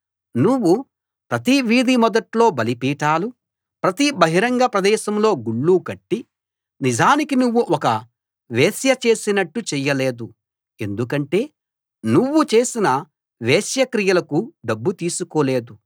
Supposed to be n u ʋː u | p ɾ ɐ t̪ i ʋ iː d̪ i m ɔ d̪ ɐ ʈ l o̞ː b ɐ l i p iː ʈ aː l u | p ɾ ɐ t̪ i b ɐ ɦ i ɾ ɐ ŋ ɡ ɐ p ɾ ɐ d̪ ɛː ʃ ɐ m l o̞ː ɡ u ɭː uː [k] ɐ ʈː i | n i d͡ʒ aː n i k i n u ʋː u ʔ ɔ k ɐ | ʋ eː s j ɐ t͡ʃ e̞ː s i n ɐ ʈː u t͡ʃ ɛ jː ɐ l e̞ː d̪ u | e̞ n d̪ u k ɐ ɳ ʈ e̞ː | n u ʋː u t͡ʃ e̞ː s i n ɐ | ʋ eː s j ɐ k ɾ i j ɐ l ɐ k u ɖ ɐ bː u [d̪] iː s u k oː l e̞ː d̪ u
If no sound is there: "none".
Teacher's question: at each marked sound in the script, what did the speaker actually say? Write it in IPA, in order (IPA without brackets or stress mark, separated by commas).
k, t̪